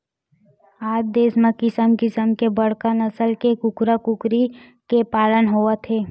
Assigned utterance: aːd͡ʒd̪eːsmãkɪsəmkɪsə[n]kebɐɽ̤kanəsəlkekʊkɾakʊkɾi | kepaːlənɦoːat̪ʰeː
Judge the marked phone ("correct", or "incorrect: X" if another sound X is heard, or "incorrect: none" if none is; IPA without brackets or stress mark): incorrect: m